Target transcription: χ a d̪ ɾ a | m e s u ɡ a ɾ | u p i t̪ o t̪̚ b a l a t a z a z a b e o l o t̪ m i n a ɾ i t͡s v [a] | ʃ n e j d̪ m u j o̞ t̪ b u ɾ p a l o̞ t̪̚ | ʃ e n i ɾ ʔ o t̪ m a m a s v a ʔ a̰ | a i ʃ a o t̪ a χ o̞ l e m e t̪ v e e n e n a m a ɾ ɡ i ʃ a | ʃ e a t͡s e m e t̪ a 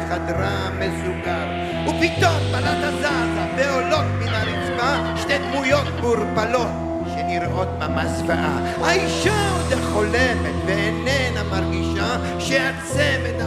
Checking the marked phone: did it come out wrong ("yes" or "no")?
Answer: no